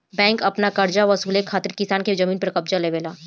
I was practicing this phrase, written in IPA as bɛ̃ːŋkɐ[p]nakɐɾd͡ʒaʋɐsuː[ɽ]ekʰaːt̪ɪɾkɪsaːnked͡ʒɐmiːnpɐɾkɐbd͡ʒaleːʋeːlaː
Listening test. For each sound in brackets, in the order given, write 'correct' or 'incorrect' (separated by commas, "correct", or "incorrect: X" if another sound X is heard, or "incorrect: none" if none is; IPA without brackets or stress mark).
correct, incorrect: l